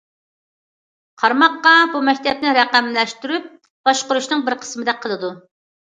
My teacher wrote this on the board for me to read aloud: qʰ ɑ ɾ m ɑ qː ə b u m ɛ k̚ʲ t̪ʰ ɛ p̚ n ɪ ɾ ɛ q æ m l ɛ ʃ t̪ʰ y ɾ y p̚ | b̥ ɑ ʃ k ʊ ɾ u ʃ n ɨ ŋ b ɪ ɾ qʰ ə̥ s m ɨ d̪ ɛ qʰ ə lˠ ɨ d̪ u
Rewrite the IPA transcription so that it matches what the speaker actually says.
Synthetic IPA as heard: qʰ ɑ ɾ m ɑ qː ɑ b u m ɛ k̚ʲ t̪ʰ ɛ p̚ n ɪ ɾ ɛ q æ m l ɛ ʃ t̪ y ɾ y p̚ | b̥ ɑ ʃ q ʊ ɾ u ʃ n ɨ ŋ b ɪ ɾ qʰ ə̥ s m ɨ d̪ ɛ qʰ ə lˠ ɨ d̪ u